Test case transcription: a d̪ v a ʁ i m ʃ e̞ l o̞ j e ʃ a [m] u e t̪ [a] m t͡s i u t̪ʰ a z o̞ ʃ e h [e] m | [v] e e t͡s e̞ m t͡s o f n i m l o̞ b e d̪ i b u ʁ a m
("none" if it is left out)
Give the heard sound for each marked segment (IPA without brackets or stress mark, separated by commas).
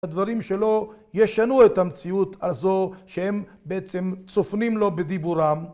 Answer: n, a, e, b